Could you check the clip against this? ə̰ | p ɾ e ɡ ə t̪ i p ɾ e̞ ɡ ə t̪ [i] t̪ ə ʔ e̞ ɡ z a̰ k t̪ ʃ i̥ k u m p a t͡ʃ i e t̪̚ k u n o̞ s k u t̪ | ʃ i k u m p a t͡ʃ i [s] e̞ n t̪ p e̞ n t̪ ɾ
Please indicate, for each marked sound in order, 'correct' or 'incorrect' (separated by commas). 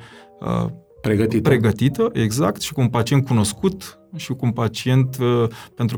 correct, incorrect